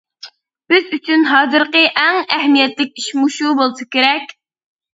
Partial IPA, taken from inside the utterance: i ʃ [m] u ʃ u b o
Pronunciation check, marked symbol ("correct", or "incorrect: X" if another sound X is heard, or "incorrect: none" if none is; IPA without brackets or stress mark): correct